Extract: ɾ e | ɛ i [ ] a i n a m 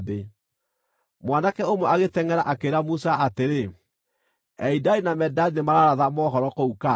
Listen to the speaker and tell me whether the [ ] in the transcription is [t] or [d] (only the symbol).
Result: d